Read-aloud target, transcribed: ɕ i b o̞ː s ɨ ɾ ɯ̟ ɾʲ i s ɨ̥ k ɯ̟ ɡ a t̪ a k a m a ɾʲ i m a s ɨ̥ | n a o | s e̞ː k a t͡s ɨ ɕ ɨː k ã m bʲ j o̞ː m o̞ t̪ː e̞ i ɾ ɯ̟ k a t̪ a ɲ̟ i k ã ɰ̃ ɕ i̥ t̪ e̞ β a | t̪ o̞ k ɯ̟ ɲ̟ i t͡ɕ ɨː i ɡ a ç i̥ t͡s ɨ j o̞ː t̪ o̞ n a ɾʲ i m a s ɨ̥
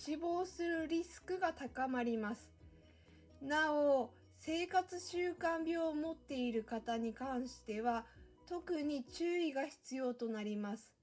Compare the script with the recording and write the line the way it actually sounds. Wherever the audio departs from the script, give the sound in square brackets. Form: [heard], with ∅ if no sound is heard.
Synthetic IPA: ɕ i b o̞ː s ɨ ɾ ɯ̟ ɾʲ i s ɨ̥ k ɯ̟ ɡ a t̪ a k a m a ɾʲ i m a s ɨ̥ | n a o | s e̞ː k a t͡s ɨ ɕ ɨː k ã m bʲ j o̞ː m o̞ t̪ː e̞ i ɾ ɯ̟ k a t̪ a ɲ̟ i k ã ɰ̃ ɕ i̥ t̪ e̞ β a | t̪ o̞ k ɯ̟ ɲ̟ i t͡ɕ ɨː i ɡ a ç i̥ t͡s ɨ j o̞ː t̪ o̞ n a ɾʲ i m a s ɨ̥